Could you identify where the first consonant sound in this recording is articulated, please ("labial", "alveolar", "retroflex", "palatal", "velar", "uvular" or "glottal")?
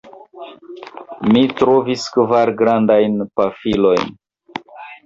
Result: labial